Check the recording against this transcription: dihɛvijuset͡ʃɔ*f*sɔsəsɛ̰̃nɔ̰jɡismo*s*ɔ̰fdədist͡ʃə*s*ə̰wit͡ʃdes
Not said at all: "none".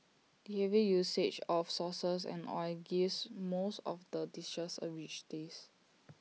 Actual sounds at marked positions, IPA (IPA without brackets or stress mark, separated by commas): f, s, s